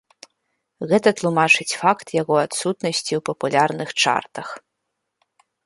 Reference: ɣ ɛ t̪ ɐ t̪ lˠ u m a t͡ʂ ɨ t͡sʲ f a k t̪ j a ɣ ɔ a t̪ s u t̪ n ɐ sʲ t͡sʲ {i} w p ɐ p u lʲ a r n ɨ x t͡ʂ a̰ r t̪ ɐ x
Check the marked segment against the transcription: correct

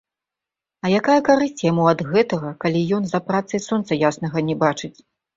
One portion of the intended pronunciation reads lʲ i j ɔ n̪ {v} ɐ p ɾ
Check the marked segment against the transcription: incorrect: z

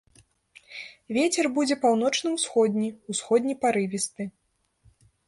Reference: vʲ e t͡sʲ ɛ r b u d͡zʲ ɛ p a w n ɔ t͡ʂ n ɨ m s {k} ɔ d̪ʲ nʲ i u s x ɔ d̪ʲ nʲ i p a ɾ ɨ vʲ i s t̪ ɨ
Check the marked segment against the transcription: incorrect: x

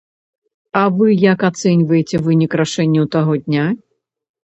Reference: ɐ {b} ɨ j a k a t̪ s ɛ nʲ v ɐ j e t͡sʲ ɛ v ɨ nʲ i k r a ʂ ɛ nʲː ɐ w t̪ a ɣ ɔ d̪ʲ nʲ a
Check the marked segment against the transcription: incorrect: v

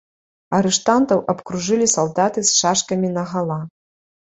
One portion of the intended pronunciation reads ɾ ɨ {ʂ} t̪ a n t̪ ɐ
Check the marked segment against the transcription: correct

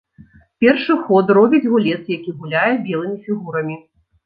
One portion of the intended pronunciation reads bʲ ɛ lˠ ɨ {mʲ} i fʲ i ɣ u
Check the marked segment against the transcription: correct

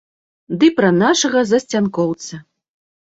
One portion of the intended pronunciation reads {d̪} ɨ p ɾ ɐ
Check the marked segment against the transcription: correct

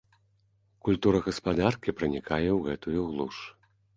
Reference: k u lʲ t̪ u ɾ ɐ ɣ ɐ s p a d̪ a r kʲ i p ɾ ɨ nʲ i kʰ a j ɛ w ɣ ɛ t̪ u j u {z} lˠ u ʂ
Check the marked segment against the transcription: incorrect: ɣ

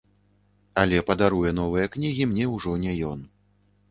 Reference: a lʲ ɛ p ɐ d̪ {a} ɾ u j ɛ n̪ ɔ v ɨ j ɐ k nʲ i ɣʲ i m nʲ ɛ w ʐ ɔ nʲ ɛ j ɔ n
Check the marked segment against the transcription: correct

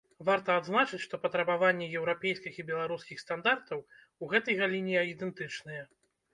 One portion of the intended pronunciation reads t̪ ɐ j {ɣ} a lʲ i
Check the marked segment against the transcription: correct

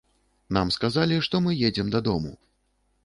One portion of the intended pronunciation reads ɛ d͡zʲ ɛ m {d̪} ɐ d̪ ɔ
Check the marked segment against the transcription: correct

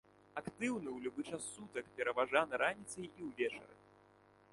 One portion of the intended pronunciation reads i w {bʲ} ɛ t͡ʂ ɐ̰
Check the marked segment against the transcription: incorrect: vʲ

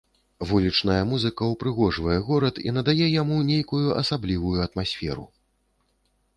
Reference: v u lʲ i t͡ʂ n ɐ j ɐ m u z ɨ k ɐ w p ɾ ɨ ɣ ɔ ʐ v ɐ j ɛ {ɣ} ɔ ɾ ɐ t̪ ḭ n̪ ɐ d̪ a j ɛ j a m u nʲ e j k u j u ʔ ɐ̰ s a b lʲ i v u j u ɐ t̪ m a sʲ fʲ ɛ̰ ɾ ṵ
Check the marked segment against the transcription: correct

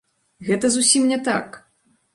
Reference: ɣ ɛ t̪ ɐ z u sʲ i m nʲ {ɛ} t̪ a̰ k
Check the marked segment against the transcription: correct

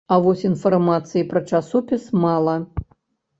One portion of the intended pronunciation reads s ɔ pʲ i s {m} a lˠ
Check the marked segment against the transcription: correct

